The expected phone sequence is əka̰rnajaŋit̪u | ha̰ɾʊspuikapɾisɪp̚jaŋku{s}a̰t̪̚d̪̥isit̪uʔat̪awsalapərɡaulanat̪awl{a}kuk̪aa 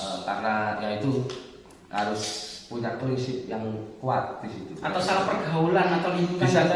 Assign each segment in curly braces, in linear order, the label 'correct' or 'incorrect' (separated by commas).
incorrect, incorrect